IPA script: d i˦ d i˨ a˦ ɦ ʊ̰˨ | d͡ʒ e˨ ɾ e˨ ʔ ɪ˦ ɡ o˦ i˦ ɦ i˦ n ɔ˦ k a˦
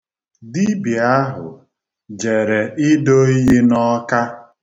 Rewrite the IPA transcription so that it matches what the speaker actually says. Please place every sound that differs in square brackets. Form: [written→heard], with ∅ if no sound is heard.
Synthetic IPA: d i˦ [d→b] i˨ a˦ ɦ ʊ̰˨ | d͡ʒ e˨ ɾ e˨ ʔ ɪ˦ [ɡ→d] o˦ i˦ ɦ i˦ n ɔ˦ k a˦